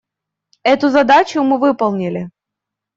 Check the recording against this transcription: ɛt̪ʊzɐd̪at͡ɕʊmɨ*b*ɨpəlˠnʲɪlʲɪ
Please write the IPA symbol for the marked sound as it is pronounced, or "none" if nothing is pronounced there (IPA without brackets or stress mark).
v